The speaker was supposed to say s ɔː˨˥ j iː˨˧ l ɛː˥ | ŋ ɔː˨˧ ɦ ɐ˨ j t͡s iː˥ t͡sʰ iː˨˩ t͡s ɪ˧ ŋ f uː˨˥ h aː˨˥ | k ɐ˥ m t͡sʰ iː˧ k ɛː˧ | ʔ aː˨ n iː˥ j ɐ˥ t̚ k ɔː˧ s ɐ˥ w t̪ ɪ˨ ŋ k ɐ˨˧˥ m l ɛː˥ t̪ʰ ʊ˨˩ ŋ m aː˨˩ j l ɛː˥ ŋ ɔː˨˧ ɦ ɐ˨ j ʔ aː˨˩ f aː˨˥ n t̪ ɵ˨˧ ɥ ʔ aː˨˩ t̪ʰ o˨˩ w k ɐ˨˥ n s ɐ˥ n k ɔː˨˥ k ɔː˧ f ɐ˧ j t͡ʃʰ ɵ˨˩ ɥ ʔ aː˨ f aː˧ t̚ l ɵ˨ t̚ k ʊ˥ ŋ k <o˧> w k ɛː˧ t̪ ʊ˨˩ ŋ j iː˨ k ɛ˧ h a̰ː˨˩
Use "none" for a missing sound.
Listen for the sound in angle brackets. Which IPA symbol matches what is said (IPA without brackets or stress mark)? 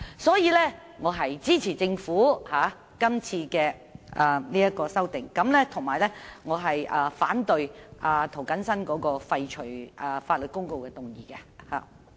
o˧